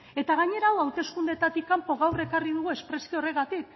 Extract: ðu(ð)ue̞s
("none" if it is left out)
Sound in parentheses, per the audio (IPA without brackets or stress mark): ɣ